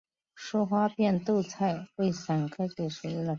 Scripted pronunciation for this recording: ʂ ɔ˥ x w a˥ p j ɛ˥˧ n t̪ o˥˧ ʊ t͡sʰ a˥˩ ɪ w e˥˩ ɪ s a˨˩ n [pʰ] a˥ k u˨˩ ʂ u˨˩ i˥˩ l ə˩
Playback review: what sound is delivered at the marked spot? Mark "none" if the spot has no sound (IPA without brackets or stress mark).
kʰ